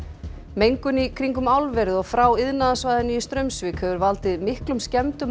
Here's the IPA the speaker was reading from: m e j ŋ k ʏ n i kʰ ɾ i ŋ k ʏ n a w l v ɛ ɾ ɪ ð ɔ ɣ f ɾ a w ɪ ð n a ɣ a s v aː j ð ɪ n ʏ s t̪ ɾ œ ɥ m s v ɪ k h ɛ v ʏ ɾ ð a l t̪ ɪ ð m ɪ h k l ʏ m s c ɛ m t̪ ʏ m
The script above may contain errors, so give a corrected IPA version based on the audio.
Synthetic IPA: m e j ŋ k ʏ n i kʰ ɾ i ŋ k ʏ m a w l v ɛ ɾ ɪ ð ɔ ɣ f ɾ a w ɪ ð n a ð a s v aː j ð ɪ n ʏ s t̪ ɾ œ ɥ m s v ɪ k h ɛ v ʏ ɾ v a l t̪ ɪ ð m ɪ h k l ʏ m s c ɛ m t̪ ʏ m